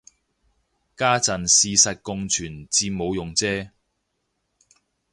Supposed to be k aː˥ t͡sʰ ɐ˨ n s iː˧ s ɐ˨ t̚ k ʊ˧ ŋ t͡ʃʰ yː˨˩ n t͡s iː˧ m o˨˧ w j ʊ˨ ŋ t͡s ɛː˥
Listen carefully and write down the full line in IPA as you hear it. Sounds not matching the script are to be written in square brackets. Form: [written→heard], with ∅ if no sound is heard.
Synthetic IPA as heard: k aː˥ [t͡sʰ→t͡s] ɐ˨ n s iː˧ s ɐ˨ t̚ k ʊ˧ ŋ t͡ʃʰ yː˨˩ n t͡s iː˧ m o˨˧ w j ʊ˨ ŋ t͡s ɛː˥